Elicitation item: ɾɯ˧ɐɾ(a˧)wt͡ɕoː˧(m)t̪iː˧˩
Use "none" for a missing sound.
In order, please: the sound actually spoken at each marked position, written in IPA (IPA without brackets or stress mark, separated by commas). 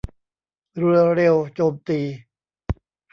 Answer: e˧, m